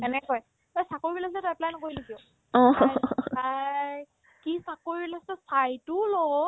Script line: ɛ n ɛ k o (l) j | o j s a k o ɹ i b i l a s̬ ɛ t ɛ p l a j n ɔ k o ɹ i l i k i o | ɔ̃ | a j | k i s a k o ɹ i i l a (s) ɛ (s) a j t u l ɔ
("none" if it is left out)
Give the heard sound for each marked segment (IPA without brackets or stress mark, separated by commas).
none, s, s